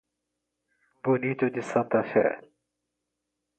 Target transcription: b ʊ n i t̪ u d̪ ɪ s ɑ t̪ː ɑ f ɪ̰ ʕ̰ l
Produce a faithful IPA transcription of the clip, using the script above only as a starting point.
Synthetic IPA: b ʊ n i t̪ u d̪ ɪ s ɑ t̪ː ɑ f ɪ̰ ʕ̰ l